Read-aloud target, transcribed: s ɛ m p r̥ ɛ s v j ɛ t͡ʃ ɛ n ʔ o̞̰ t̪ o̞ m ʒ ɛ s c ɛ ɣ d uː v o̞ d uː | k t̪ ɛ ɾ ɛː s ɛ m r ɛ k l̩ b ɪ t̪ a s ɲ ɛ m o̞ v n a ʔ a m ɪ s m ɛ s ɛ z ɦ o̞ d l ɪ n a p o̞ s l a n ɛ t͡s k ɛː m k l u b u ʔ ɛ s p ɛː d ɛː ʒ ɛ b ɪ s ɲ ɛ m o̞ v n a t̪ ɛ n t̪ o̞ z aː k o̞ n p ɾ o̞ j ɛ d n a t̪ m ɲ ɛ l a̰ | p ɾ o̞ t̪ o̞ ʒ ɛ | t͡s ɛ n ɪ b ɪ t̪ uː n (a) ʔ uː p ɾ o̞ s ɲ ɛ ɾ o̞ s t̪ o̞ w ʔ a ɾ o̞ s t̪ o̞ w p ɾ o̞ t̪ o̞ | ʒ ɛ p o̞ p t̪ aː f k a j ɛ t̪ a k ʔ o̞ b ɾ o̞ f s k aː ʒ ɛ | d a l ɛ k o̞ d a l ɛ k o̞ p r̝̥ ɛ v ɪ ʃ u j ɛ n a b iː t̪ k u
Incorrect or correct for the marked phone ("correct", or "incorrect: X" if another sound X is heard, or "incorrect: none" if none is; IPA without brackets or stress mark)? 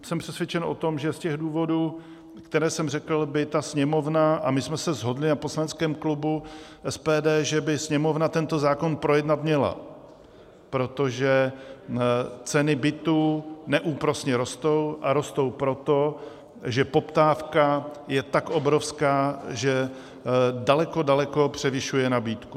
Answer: incorrect: ɛ